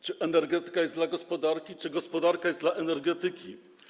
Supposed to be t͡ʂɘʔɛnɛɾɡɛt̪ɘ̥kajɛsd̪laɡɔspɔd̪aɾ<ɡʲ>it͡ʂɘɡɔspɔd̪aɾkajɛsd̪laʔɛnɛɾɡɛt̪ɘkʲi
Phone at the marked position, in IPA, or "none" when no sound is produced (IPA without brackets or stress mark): kʲ